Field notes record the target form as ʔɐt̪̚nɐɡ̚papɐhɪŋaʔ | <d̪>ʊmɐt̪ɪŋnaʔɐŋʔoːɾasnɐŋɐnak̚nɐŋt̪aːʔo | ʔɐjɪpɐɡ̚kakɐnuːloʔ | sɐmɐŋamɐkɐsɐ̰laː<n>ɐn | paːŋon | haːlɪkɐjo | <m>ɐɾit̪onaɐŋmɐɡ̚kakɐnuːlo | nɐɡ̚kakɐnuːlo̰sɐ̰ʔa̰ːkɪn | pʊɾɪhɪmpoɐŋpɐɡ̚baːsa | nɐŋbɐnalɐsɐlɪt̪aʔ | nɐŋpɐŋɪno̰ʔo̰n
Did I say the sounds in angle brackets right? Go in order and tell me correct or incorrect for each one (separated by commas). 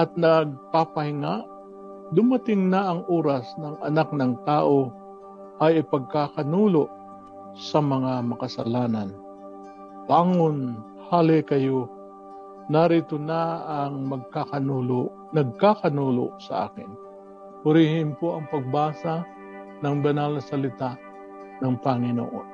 correct, correct, incorrect